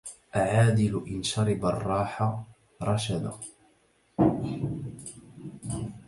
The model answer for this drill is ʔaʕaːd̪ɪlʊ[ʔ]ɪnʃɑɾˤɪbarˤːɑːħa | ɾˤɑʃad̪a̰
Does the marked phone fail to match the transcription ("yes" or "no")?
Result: no